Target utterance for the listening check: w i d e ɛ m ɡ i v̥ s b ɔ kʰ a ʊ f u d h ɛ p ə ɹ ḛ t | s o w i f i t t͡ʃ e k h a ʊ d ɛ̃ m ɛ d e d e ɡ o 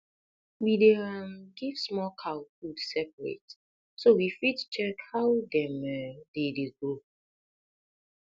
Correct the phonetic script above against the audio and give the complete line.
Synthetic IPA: w i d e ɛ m ɡ i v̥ s m ɔ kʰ a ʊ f u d s ɛ p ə ɹ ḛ t | s o w i f i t t͡ʃ ɛ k h a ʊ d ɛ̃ m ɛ d e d e ɡ o